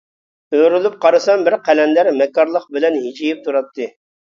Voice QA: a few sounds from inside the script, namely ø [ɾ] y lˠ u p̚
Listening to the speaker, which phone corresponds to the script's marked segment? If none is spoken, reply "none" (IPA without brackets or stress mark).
ɾ